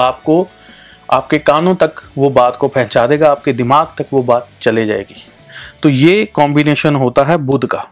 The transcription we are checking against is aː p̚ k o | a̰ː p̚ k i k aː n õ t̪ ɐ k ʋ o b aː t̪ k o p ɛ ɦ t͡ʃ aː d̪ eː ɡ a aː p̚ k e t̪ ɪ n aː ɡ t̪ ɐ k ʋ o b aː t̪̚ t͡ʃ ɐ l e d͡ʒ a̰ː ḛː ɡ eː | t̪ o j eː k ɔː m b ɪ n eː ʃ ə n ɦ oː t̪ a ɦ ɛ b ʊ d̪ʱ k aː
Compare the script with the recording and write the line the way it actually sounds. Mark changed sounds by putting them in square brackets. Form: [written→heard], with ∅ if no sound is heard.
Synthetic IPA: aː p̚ k o | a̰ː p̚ k [i→e] k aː n õ t̪ ɐ k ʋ o b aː t̪ k o p ɛ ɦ t͡ʃ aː d̪ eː ɡ a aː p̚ k e [t̪→d̪] ɪ [n→m] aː ɡ t̪ ɐ k ʋ o b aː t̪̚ t͡ʃ ɐ l e d͡ʒ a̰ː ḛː ɡ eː | t̪ o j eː k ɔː m b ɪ n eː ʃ ə n ɦ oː t̪ a ɦ ɛ b ʊ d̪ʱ k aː